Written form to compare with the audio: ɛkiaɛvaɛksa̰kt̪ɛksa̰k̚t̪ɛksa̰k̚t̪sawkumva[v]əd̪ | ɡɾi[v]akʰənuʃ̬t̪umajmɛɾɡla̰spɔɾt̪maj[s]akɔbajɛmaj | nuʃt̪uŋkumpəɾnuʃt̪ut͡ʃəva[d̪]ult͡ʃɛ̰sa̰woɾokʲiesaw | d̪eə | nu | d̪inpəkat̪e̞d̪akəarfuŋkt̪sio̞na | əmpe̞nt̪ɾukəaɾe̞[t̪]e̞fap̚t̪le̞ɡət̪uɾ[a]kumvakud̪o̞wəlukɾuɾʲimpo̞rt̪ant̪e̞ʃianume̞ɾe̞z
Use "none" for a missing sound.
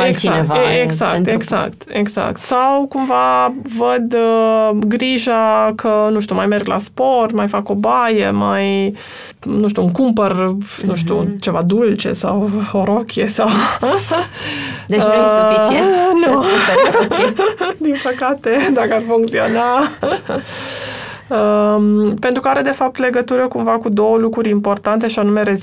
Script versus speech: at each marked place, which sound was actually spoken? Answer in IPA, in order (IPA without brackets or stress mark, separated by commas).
v, ʒ, f, d̪, d̪, ə